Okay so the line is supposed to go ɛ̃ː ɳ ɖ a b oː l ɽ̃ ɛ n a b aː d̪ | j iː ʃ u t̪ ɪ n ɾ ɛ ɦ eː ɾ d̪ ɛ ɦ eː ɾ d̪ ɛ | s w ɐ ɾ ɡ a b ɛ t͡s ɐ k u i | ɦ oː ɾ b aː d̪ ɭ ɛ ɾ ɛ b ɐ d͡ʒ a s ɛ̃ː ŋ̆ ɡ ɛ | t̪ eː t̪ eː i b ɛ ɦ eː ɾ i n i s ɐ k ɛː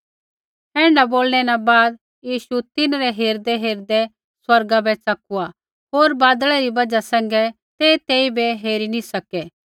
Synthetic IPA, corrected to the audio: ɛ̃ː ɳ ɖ a b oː l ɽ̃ ɛ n a b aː d̪ | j iː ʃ u t̪ ɪ n ɾ ɛ ɦ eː ɾ d̪ ɛ ɦ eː ɾ d̪ ɛ | s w ɐ ɾ ɡ a b ɛ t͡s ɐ k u a | ɦ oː ɾ b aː d̪ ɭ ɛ ɾ i b ɐ d͡ʒ a s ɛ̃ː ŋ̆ ɡ ɛ | t̪ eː t̪ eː i b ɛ ɦ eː ɾ i n i s ɐ k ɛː

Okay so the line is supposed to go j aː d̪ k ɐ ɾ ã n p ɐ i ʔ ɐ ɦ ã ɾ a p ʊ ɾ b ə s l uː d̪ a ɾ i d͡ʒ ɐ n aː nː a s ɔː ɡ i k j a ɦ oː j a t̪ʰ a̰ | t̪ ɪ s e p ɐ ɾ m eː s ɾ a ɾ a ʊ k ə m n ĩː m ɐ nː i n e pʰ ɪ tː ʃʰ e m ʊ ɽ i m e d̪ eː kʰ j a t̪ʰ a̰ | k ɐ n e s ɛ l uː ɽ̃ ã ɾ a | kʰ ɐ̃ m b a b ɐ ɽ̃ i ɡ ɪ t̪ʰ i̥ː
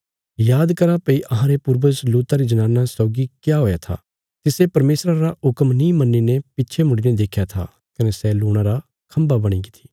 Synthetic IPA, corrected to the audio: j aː d̪ k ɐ ɾ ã p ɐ i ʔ ɐ ɦ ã ɾ e p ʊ ɾ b ə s l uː t̪ a ɾ i d͡ʒ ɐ n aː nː a s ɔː ɡ i k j a ɦ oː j a t̪ʰ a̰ | t̪ ɪ s e p ɐ ɾ m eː s ɾ a ɾ a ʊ k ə m n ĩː m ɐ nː i n e p ɪ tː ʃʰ e m ʊ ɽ i n e d̪ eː kʰ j a t̪ʰ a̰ | k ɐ n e s ɛ l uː ɽ̃ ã ɾ a | kʰ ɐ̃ m b a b ɐ ɽ̃ i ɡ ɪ t̪ʰ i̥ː

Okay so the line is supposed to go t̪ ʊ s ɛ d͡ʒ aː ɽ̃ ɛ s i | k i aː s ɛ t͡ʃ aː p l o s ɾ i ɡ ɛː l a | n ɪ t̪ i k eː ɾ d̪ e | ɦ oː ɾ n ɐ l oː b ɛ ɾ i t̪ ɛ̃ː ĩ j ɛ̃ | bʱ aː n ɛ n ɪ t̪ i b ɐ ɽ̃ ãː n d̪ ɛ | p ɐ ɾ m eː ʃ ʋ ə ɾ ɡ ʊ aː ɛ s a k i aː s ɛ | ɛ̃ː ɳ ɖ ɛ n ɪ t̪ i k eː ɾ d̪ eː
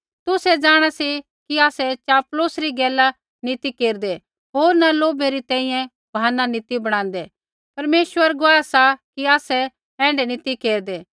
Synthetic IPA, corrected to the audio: t̪ ʊ s ɛ d͡ʒ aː ɽ̃ a s i | k i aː s ɛ t͡ʃ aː p l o s ɾ i ɡ ɛː l a | n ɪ t̪ i k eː ɾ d̪ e | ɦ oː ɾ n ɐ l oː b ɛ ɾ i t̪ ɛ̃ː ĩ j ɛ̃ | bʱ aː n a n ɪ t̪ i b ɐ ɽ̃ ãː n d̪ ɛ | p ɐ ɾ m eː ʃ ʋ ə ɾ ɡ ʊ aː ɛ s a k i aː s ɛ | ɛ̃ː ɳ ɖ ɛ n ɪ t̪ i k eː ɾ d̪ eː

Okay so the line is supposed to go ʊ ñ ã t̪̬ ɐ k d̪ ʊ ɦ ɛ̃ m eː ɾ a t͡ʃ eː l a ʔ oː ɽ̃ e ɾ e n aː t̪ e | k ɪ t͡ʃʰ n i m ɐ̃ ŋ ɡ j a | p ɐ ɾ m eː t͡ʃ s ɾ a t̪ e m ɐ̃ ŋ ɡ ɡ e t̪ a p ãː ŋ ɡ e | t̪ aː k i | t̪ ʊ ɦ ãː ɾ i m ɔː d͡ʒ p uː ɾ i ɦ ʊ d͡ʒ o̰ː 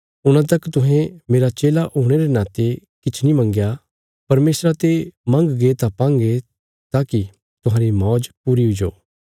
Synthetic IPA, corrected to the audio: ʊ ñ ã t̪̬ ɐ k t̪ ʊ ɦ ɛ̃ m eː ɾ a t͡ʃ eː l a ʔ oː ɽ̃ e ɾ e n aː t̪ e | k ɪ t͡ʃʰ n i m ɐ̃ ŋ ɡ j a | p ɐ ɾ m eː s ɾ a t̪ e m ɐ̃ ŋ ɡ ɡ e t̪ a p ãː ŋ ɡ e | t̪ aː k i | t̪ ʊ ɦ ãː ɾ i m ɔː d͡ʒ p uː ɾ i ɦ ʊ d͡ʒ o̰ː

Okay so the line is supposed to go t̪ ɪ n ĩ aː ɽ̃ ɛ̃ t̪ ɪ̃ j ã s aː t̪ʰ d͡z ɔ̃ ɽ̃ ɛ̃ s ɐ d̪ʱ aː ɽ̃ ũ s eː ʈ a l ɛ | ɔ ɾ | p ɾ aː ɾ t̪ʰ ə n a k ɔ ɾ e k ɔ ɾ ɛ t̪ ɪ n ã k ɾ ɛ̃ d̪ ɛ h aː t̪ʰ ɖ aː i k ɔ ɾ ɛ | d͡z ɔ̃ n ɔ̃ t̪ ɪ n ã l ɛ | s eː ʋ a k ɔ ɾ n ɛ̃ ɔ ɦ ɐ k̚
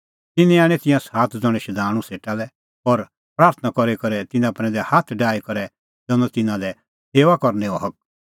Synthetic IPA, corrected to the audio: t̪ ɪ n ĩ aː ɽ̃ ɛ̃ t̪ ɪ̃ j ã s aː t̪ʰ d͡z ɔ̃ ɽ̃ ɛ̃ ʃ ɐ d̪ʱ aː ɽ̃ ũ s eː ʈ a l ɛ | ɔ ɾ | p ɾ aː ɾ t̪ʰ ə n a k ɔ ɾ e k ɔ ɾ ɛ t̪ ɪ n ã p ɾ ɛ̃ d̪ ɛ h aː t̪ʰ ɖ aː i k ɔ ɾ ɛ | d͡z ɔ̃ n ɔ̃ t̪ ɪ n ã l ɛ | s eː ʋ a k ɔ ɾ n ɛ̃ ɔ ɦ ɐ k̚

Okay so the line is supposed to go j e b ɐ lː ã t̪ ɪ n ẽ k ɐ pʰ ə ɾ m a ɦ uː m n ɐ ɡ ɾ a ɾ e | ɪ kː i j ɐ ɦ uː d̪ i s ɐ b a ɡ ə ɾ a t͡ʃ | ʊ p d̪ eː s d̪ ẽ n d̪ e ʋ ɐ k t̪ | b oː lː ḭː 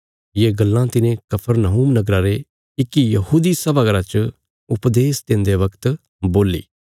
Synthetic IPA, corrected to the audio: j e ɡ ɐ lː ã t̪ ɪ n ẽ k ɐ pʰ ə ɾ n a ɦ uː m n ɐ ɡ ɾ a ɾ e | ɪ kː i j ɐ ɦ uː d̪ i s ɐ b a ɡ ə ɾ a t͡ʃ | ʊ p d̪ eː s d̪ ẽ n d̪ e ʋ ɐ k t̪ | b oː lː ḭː

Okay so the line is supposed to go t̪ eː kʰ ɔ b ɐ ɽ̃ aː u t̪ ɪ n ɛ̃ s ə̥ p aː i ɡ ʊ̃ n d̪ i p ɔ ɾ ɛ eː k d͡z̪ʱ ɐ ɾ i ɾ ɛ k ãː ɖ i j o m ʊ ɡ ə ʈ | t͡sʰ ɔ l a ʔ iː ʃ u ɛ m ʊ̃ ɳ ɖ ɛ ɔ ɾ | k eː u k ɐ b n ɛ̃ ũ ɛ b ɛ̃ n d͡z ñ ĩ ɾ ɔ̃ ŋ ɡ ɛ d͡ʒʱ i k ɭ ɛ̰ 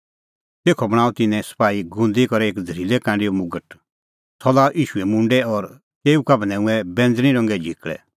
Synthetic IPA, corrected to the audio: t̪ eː kʰ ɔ b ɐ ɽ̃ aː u t̪ ɪ n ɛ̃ s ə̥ p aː i ɡ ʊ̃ n d̪ i k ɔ ɾ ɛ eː k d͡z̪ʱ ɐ ɾ i l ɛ k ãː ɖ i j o m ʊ ɡ ə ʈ | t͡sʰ ɔ l a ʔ iː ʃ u ɛ m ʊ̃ ɳ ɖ ɛ ɔ ɾ | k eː u k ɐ b n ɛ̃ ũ ɛ b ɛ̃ n d͡z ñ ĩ ɾ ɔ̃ ŋ ɡ ɛ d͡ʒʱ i k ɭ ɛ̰

